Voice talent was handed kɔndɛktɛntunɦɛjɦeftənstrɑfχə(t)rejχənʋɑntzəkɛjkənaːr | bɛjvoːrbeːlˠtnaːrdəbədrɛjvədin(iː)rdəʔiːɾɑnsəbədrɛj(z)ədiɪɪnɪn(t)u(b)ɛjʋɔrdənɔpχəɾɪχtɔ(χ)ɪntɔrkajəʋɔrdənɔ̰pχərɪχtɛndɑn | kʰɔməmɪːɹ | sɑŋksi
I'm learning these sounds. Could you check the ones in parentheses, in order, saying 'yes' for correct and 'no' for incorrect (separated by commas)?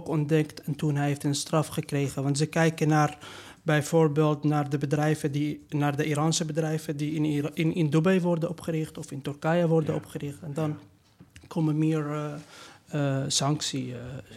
no, no, no, no, yes, no